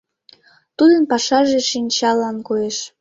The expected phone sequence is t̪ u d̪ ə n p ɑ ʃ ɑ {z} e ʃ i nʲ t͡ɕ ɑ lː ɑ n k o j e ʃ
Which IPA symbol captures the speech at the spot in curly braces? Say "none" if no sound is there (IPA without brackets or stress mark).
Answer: ʒ